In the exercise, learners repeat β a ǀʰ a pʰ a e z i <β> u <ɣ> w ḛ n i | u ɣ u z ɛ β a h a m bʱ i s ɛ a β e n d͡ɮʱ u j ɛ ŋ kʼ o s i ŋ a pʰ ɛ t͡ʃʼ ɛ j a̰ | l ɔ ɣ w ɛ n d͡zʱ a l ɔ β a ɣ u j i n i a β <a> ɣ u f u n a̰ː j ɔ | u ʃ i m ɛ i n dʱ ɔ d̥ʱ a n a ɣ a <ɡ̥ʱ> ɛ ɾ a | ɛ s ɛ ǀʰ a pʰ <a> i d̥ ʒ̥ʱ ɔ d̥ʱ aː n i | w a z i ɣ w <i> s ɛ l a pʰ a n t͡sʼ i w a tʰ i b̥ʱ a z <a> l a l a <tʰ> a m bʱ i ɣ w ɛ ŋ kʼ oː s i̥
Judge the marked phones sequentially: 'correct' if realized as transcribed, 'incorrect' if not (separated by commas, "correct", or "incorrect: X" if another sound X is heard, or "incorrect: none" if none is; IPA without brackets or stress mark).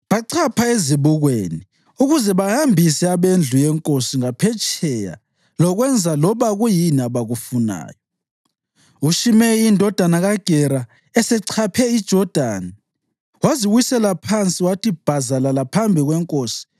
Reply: correct, correct, correct, correct, incorrect: ɛ, correct, correct, incorrect: pʰ